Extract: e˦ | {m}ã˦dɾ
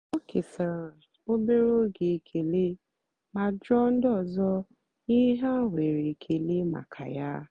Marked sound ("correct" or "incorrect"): correct